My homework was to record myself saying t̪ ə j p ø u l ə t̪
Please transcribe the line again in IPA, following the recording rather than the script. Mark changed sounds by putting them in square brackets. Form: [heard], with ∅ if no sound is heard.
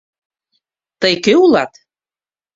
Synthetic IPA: t̪ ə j [k] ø u l [ɑ] t̪